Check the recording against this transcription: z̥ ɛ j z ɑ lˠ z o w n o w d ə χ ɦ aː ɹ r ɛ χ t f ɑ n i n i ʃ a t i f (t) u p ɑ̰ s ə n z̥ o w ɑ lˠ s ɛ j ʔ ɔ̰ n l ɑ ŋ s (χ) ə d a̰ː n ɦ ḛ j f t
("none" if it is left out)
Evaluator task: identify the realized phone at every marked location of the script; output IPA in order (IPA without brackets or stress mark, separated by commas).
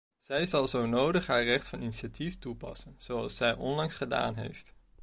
t, χ